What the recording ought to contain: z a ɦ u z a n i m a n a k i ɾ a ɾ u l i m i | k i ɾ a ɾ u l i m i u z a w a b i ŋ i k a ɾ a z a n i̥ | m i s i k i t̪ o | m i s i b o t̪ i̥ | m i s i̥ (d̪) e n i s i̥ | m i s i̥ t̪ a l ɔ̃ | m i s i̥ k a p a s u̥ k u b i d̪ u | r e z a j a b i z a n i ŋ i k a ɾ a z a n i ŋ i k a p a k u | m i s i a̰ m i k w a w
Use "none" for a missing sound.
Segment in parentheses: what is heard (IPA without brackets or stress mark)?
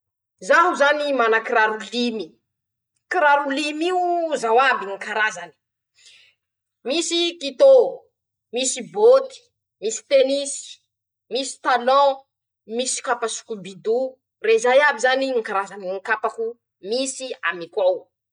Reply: t̪